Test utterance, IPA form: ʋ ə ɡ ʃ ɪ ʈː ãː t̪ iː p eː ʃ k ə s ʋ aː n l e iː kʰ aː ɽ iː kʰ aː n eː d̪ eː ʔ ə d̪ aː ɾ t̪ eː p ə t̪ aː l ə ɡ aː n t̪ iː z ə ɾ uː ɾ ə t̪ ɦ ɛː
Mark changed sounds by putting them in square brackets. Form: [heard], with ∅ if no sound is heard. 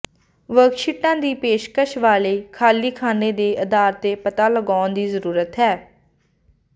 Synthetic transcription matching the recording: ʋ ə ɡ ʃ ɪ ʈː ãː [d̪] iː p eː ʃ k ə [ʃ] ʋ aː [∅] l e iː kʰ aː [l] iː kʰ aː n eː d̪ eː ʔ ə d̪ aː ɾ t̪ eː p ə t̪ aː l ə ɡ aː n [d̪] iː z ə ɾ uː ɾ ə t̪ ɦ ɛː